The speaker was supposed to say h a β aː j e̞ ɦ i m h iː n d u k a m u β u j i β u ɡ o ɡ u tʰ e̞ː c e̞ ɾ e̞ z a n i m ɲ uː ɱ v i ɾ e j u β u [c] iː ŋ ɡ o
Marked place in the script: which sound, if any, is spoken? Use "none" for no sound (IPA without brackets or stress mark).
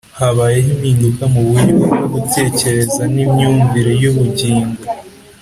ɟ